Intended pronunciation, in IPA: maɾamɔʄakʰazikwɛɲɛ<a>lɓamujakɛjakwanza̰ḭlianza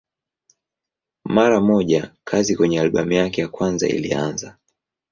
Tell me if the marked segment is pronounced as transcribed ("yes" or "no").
yes